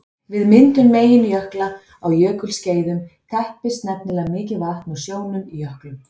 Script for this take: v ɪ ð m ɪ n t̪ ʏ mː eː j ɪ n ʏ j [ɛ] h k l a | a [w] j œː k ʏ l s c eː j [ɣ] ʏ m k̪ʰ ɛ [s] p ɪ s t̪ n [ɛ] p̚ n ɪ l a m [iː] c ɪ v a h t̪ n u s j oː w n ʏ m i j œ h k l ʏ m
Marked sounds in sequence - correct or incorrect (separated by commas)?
incorrect, correct, incorrect, incorrect, correct, incorrect